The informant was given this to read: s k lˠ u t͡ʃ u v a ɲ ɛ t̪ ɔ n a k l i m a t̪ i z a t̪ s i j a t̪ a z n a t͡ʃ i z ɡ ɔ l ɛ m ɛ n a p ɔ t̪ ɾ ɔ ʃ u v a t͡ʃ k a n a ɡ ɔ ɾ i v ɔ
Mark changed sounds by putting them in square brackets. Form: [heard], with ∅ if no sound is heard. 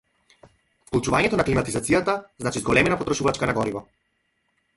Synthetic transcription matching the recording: [f] k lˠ u t͡ʃ u v a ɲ ɛ t̪ ɔ n a k l i m a t̪ i z a t̪ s i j a t̪ a z n a t͡ʃ i z ɡ ɔ l ɛ m ɛ n a p ɔ t̪ ɾ ɔ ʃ u v a t͡ʃ k a n a ɡ ɔ ɾ i v ɔ

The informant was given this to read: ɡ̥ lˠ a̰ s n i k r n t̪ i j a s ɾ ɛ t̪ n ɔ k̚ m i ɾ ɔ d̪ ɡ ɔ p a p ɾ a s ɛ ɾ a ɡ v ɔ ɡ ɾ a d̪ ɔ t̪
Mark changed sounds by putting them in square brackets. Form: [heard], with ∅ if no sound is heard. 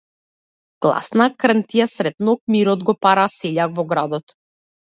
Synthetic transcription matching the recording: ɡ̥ lˠ a̰ s n [a] k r n t̪ i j a s ɾ ɛ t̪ n ɔ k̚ m i ɾ ɔ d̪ ɡ ɔ p a [∅] ɾ a s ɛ [ʎ] a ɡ v ɔ ɡ ɾ a d̪ ɔ t̪

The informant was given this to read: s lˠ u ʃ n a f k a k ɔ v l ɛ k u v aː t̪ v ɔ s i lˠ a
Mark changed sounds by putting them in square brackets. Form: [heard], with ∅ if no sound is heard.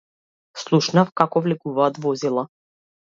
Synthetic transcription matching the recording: s lˠ u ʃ n a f k a k ɔ v l ɛ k u v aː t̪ v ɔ [z] i lˠ a

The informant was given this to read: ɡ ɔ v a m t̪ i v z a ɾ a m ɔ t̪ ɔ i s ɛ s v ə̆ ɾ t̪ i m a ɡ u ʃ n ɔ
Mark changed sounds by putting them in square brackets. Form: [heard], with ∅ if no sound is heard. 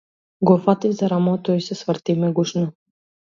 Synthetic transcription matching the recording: ɡ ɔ [f] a [∅] t̪ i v z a ɾ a m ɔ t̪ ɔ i s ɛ s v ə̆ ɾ t̪ i m [ɛ] ɡ u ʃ n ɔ

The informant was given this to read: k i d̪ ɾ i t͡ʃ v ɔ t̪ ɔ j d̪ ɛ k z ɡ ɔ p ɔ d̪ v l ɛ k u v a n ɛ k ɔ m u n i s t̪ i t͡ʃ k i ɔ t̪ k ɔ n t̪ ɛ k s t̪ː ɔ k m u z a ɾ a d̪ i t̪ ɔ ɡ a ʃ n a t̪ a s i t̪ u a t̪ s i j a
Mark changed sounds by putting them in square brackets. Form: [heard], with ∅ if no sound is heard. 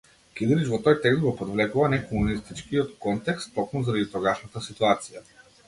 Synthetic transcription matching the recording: k i d̪ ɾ i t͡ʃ v ɔ t̪ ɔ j [t̪] ɛ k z ɡ ɔ p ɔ d̪ v l ɛ k u v a n ɛ k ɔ m u n i s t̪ i t͡ʃ k i ɔ t̪ k ɔ n t̪ ɛ k s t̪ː ɔ k m u z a ɾ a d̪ i t̪ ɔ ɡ a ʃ n a t̪ a s i t̪ u a t̪ s i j a

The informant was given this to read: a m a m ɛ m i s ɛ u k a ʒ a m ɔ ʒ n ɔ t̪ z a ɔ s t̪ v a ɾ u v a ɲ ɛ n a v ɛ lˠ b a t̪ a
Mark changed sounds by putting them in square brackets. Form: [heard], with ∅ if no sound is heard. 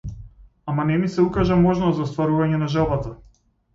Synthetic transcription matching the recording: a m a [n] ɛ m i s ɛ u k a ʒ a m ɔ ʒ n ɔ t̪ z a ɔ s t̪ v a ɾ u v a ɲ ɛ n a [ʒ] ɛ lˠ b a t̪ a

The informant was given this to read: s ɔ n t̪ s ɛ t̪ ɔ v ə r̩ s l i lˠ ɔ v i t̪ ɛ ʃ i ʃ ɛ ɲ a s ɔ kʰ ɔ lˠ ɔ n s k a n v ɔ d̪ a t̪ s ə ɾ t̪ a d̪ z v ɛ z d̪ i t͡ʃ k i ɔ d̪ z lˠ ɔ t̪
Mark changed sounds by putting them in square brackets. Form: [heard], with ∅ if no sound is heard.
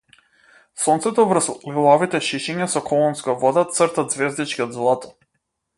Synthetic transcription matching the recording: s ɔ n t̪ s ɛ t̪ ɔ v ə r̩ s l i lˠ ɔ v i t̪ ɛ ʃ i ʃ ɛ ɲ a s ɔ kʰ ɔ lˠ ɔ n s k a [∅] v ɔ d̪ a t̪ s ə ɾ t̪ a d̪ z v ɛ z d̪ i t͡ʃ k i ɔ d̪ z lˠ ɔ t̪

